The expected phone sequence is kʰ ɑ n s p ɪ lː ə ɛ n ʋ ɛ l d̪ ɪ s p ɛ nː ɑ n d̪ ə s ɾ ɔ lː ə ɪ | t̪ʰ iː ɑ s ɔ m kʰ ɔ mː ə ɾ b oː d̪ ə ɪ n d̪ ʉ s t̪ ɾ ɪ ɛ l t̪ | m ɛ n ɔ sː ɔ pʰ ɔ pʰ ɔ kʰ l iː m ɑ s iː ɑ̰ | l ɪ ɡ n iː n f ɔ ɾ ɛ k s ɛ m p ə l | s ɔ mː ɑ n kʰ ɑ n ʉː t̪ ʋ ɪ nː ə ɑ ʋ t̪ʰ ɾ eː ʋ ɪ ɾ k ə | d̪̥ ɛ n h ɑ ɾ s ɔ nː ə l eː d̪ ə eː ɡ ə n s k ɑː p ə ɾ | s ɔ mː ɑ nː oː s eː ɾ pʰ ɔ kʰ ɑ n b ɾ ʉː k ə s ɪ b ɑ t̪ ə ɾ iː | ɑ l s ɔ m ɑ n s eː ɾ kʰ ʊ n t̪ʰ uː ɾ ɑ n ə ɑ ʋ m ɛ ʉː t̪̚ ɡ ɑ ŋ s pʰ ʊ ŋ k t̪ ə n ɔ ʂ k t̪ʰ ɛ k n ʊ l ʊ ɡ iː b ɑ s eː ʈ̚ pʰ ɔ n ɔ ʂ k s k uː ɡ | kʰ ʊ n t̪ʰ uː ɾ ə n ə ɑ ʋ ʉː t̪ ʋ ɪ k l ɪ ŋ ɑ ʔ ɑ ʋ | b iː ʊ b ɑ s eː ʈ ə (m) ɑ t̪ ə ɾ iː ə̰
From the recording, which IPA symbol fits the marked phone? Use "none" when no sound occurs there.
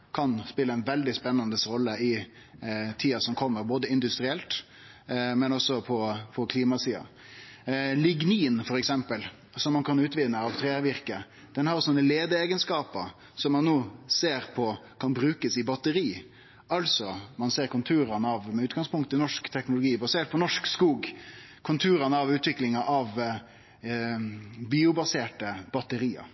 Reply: b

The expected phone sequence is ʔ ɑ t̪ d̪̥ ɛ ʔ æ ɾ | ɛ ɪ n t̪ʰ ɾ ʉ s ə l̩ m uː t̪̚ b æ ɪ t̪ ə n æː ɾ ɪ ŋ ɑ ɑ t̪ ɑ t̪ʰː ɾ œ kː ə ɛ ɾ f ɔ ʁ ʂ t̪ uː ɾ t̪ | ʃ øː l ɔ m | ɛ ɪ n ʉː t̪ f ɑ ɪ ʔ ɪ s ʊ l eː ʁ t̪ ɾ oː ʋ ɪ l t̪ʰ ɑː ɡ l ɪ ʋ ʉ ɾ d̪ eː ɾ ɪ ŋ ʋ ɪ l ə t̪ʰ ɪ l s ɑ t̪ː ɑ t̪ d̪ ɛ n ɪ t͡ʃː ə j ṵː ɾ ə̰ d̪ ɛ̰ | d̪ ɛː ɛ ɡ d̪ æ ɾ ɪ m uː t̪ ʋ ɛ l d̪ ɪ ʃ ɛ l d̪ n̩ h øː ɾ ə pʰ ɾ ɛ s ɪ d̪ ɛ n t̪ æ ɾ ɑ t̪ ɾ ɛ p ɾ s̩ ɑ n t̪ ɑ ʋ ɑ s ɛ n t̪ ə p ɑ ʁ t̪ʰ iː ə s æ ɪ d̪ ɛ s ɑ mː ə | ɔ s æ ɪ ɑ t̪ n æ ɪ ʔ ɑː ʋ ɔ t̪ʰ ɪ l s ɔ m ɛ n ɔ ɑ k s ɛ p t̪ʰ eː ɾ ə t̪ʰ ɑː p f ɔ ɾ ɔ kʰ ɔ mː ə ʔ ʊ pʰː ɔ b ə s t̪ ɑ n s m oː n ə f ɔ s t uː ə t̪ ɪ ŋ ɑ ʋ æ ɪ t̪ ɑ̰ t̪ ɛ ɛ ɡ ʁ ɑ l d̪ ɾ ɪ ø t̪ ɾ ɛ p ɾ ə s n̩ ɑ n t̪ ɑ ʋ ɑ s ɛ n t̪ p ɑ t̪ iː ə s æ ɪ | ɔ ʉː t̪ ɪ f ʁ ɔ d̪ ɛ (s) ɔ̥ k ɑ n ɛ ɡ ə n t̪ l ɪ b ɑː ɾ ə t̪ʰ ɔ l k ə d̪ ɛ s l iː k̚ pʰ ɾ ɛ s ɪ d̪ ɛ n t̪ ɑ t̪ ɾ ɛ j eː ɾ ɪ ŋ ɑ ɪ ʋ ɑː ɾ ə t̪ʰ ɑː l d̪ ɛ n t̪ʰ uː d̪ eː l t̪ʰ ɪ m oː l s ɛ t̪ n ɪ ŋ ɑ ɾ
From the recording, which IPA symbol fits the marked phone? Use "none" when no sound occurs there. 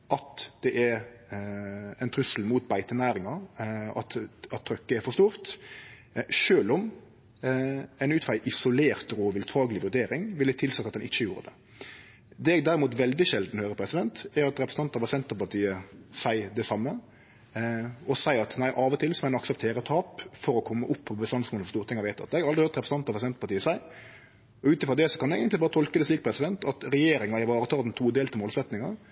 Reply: s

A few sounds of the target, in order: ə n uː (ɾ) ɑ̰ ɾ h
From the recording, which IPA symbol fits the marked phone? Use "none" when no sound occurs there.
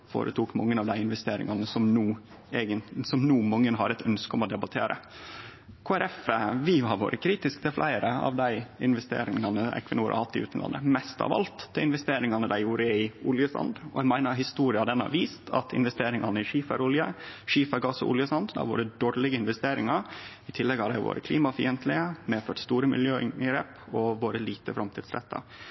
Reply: ɾ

